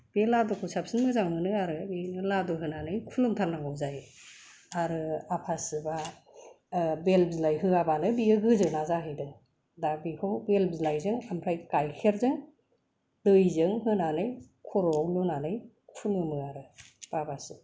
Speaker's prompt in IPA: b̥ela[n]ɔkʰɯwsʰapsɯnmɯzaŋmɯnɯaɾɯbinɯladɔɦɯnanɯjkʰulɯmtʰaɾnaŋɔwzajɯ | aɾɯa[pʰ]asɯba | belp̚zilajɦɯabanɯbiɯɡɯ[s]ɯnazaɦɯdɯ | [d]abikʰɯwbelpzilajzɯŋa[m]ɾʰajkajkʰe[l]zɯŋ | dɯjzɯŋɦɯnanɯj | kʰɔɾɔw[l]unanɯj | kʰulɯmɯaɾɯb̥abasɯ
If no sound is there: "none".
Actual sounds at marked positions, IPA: d, pʰ, z, d, m, ɾ, l

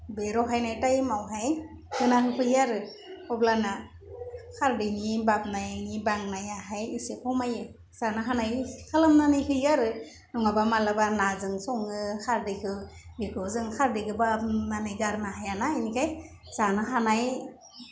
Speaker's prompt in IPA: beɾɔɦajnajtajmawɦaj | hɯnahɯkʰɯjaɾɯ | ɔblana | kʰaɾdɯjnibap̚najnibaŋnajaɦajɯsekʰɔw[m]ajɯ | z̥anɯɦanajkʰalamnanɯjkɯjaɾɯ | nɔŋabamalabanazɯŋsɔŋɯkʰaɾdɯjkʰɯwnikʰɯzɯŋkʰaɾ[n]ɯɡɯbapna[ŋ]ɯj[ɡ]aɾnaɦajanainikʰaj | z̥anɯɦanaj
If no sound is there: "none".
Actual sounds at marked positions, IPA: m, d, n, ɡ

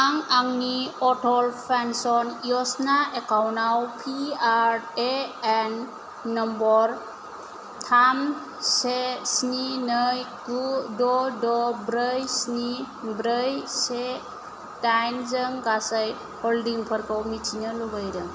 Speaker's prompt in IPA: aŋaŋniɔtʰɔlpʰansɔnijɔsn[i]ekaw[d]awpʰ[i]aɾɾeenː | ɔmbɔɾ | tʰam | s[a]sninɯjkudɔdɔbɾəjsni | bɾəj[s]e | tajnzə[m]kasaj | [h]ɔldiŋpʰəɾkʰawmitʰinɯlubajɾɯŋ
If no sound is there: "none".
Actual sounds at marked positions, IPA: a, n, i, e, s, ŋ, h

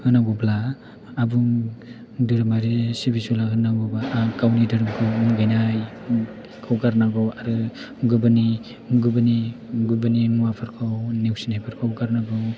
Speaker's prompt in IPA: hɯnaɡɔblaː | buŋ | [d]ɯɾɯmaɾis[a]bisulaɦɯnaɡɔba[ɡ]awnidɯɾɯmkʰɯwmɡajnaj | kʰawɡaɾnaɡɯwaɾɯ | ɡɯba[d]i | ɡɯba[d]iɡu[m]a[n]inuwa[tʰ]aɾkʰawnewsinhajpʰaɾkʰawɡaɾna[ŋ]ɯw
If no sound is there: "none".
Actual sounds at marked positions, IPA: d, i, k, n, n, b, n, pʰ, ɡ

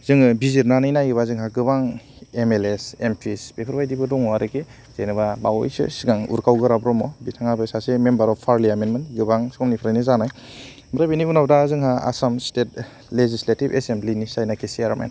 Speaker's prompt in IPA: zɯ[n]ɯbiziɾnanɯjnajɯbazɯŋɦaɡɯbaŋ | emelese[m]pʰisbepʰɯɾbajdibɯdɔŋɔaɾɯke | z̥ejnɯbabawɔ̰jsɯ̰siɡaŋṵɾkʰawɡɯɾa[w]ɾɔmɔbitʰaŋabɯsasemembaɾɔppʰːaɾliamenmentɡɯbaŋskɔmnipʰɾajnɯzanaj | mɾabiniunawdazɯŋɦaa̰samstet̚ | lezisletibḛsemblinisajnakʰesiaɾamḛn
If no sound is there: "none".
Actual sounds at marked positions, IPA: ŋ, m, b

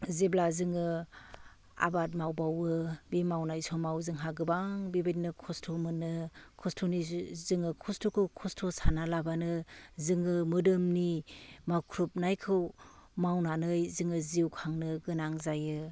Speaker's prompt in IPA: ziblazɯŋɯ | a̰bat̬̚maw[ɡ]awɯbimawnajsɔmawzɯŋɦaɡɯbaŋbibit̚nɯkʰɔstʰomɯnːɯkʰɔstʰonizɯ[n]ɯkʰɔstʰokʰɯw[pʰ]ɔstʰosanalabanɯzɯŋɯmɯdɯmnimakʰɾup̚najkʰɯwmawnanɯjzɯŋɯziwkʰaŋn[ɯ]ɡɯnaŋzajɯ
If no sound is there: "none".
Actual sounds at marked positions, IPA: b, ŋ, kʰ, ɯ

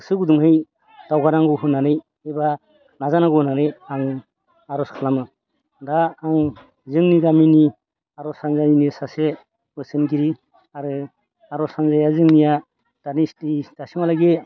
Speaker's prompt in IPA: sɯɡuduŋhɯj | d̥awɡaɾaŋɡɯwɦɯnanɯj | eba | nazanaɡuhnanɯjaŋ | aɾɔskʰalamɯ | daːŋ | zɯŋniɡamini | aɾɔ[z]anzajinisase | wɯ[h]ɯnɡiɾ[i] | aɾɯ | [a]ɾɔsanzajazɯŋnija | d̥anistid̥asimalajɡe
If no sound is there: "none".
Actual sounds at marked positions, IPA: s, s, i, a

